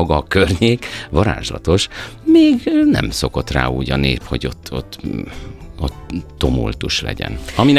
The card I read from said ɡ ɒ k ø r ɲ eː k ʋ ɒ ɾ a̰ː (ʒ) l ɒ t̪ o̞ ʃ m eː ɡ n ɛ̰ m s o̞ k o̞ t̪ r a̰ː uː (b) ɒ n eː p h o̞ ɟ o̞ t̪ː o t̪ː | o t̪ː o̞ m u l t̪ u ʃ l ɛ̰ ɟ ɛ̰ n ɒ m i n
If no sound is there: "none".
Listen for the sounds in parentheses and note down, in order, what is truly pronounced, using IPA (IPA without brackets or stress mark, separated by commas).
ʒ, ɟ